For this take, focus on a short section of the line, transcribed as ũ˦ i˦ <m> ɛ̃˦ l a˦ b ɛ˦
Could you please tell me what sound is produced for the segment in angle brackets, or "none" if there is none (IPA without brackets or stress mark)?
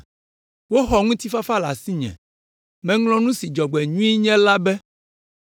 ɲ